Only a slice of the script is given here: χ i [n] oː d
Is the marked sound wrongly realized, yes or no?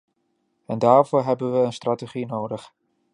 no